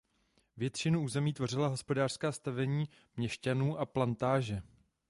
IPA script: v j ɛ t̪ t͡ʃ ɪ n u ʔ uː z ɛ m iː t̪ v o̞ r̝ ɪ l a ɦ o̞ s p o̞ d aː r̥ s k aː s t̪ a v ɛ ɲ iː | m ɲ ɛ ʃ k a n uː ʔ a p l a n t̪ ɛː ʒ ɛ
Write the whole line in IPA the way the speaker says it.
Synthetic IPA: v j ɛ t̪ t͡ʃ ɪ n u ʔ uː z ɛ m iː t̪ v o̞ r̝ ɪ l a ɦ o̞ s p o̞ d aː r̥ s k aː s t̪ a v ɛ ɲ iː | m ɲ ɛ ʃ c a n uː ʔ a p l a n t̪ aː ʒ ɛ